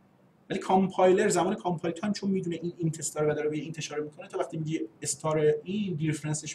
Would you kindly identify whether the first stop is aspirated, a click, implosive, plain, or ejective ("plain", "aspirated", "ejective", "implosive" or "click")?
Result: aspirated